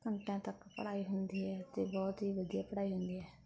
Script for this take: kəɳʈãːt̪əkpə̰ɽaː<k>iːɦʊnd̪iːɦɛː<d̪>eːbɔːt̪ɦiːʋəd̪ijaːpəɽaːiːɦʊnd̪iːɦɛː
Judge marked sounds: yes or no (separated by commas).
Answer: no, no